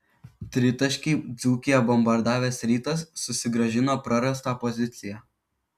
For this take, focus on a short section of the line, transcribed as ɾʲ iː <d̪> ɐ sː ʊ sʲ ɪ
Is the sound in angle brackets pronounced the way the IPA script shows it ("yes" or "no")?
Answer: no